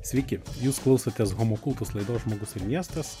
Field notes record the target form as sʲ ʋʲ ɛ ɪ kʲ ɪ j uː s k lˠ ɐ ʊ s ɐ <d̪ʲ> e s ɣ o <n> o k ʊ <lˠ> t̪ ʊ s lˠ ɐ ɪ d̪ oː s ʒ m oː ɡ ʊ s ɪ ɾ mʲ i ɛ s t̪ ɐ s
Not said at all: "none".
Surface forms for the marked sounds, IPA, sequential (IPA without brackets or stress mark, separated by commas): t̪ʲ, m, lˠ